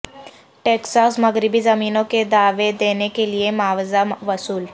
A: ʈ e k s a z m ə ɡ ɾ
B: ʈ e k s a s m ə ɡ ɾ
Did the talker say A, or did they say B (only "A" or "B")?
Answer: B